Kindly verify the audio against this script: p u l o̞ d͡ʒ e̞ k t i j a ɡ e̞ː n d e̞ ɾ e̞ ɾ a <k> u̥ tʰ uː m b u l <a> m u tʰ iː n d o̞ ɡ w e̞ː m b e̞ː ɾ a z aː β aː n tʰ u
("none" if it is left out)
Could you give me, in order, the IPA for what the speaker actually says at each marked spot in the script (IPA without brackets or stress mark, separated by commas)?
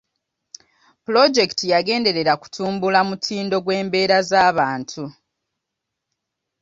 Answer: k, a